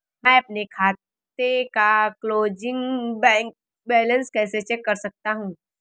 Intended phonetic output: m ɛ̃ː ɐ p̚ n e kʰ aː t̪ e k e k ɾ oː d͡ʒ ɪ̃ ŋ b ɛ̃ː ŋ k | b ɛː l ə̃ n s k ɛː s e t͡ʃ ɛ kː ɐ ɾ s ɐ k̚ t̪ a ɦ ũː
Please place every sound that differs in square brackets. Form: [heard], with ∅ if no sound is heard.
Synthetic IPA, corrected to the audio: m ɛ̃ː ɐ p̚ n e kʰ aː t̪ e k [a] k [l] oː d͡ʒ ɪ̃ ŋ b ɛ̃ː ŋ k | b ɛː l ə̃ n s k ɛː s e t͡ʃ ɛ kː ɐ ɾ s ɐ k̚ t̪ a ɦ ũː